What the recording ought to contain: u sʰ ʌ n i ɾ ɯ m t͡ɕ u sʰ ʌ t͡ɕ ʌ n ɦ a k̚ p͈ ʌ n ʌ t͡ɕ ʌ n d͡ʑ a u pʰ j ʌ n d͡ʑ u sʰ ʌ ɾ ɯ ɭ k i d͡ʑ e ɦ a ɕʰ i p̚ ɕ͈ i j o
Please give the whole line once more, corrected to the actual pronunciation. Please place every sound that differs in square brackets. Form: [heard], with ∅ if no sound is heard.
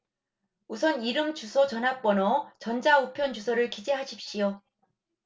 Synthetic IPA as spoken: u sʰ ʌ n i ɾ ɯ m t͡ɕ u sʰ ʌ t͡ɕ ʌ n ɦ a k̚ p͈ ʌ n ʌ t͡ɕ ʌ n d͡ʑ a u pʰ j ʌ n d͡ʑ u sʰ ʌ ɾ ɯ ɭ k i d͡ʑ e ɦ a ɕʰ i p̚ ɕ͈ i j o